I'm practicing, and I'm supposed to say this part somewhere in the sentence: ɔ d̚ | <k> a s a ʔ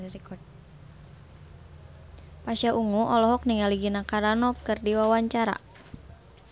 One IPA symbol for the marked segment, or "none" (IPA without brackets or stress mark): p